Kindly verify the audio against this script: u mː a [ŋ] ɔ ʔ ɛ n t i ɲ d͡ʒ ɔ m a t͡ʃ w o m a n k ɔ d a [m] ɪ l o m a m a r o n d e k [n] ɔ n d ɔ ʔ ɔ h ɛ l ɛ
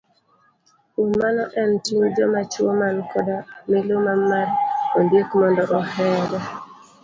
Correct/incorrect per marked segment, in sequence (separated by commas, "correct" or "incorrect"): incorrect, correct, incorrect